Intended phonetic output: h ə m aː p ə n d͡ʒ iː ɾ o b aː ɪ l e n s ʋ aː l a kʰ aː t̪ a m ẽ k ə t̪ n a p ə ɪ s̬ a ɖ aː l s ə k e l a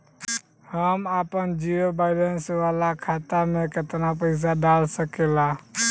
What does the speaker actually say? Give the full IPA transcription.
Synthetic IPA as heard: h ə m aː p ə n d͡ʒ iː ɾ o b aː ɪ l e n s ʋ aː l a kʰ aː t̪ a m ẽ k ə t̪ n a p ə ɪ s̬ a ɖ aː l s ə k e l a